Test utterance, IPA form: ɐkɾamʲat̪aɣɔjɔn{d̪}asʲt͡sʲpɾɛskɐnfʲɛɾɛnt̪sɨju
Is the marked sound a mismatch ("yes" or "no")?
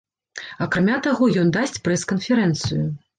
no